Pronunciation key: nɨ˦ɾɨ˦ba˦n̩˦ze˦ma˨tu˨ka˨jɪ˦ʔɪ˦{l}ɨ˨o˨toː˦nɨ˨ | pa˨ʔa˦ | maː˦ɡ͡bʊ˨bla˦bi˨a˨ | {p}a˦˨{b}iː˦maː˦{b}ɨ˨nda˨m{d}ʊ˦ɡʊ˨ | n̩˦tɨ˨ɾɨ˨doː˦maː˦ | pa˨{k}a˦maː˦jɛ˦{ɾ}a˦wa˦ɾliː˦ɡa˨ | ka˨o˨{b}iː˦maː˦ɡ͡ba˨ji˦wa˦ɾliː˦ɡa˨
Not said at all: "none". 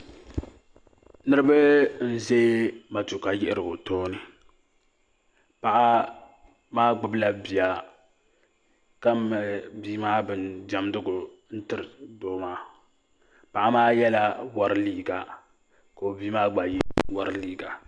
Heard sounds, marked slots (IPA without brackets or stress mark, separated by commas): ɾ, k, b, b, d, ʔ, l, b